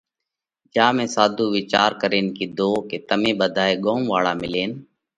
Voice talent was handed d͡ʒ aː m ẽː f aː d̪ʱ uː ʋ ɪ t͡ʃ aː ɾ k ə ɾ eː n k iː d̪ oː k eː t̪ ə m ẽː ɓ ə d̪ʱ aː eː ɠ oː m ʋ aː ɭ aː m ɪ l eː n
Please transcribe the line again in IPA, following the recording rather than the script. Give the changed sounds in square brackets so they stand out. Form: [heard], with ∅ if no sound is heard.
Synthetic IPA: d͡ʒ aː m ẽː [s] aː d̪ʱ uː ʋ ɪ t͡ʃ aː ɾ k ə ɾ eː n k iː d̪ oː k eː t̪ ə m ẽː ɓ ə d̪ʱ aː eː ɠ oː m ʋ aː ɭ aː m ɪ l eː n